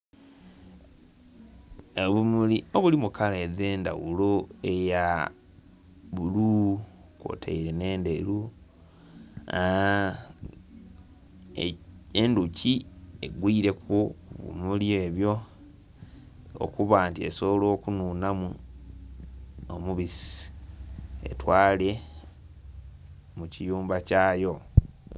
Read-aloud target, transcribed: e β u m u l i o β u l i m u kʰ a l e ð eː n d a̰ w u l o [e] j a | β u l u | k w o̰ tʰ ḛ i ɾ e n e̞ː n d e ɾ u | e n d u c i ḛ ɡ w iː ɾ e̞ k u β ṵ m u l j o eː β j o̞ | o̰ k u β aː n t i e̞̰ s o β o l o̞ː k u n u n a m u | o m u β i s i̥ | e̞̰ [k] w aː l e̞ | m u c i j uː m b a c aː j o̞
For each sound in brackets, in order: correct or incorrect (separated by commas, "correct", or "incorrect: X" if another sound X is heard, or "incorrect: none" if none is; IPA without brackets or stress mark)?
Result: correct, incorrect: t